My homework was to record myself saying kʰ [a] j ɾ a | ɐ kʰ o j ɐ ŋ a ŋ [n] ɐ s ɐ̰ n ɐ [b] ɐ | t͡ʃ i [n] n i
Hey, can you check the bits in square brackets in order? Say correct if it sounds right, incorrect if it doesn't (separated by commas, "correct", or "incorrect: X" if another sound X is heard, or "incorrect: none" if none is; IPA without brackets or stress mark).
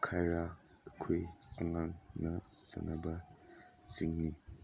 correct, correct, correct, incorrect: ŋ